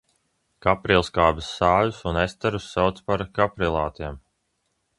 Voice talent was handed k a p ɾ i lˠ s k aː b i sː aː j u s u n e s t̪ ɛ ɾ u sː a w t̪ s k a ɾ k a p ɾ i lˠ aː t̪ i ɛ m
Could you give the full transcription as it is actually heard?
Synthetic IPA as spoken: k a p ɾ i lˠ s k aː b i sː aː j u s u n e s t̪ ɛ ɾ u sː a w t̪ s p a ɾ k a p ɾ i lˠ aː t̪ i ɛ m